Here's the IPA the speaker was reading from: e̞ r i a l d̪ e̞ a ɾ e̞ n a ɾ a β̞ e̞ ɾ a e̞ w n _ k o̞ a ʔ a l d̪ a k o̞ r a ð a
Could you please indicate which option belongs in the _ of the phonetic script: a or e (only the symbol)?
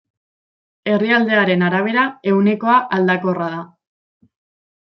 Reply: e